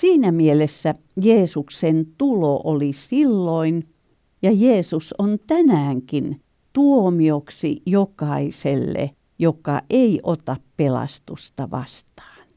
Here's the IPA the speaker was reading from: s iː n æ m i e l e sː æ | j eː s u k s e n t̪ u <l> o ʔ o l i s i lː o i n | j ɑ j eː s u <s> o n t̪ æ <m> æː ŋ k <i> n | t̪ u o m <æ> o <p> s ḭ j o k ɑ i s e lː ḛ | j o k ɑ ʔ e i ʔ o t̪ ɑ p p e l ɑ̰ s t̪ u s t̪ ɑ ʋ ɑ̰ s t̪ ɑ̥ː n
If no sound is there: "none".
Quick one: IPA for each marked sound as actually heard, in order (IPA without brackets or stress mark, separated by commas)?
l, s, n, i, i, k